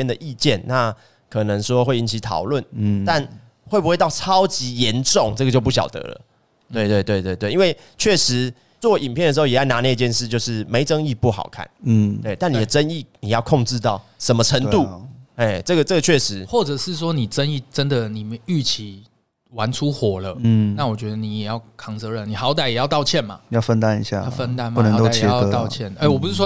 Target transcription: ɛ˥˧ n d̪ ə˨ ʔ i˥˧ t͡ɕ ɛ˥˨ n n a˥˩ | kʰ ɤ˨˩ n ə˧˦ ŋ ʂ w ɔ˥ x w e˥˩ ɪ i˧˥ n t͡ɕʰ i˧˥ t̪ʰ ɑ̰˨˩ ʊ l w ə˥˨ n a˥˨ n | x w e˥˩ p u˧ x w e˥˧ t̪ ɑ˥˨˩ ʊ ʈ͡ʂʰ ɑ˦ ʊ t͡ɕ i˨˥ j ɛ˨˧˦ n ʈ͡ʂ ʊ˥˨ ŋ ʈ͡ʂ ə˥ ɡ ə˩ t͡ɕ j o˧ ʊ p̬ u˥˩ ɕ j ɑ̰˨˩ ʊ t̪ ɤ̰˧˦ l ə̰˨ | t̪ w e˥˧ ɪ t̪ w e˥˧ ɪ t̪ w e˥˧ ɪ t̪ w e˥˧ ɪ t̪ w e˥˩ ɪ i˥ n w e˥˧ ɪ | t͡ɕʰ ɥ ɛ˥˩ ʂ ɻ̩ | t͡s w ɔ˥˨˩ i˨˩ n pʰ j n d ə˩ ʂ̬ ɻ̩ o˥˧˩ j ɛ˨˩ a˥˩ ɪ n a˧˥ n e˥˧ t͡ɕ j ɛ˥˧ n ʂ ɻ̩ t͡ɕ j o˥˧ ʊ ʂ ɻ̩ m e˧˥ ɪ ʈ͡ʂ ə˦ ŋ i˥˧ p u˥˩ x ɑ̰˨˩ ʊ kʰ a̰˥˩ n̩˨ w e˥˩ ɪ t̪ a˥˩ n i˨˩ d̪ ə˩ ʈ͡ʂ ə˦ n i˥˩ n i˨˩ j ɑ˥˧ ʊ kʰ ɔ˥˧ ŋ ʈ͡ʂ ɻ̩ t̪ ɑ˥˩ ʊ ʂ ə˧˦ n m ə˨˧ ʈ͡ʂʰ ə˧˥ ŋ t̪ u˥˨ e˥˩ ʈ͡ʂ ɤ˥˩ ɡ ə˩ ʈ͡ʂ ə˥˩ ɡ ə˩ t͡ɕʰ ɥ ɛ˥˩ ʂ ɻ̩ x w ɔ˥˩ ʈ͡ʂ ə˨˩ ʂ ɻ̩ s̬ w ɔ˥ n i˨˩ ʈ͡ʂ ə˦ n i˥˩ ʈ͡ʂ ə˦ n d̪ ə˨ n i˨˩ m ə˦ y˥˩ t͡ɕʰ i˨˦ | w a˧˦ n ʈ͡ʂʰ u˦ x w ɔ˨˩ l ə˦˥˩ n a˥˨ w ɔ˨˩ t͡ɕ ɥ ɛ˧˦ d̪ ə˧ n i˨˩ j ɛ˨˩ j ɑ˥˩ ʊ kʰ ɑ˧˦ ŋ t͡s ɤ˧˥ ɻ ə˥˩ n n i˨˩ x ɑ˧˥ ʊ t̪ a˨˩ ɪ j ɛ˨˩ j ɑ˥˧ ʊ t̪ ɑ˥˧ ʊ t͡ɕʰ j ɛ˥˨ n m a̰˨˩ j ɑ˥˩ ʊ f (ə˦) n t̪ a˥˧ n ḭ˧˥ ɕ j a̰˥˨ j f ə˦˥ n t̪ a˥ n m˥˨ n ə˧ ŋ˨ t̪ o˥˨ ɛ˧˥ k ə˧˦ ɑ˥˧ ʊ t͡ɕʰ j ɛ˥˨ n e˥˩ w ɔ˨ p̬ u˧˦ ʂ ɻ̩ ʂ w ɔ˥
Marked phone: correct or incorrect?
correct